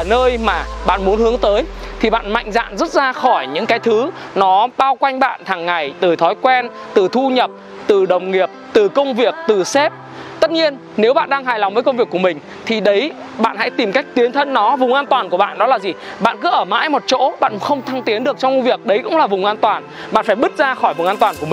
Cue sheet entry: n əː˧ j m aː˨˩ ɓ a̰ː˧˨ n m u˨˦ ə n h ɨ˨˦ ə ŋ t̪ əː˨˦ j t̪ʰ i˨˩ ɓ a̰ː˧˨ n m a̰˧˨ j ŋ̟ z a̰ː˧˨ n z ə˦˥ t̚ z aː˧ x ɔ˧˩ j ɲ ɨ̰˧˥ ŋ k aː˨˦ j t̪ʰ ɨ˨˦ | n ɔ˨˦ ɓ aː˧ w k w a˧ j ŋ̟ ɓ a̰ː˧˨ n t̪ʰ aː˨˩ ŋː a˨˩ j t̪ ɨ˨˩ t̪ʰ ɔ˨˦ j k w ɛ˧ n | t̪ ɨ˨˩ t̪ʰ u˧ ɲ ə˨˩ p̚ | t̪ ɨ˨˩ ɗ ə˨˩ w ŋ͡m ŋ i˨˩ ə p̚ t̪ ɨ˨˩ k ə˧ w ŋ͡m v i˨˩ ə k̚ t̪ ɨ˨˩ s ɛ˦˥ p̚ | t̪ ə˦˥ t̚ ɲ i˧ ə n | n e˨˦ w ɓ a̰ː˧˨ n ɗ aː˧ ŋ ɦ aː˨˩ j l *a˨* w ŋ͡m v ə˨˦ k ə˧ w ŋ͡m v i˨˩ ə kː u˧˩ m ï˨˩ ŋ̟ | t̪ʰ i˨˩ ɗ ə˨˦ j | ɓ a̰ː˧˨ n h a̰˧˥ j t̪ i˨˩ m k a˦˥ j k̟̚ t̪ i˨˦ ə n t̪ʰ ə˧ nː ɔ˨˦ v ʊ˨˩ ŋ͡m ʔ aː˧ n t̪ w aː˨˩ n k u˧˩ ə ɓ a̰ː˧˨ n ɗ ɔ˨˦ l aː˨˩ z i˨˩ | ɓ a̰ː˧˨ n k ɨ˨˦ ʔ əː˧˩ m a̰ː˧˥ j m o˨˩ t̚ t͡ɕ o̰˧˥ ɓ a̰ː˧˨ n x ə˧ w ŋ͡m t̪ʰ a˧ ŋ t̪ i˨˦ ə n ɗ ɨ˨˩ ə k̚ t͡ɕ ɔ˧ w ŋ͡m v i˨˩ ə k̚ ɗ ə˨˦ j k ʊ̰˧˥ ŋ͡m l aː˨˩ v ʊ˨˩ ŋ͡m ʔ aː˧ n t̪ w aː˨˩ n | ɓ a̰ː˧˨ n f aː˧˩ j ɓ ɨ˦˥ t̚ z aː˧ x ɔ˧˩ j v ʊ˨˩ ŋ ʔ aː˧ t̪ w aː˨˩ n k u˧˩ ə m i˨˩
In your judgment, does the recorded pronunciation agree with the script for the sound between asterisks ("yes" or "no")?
yes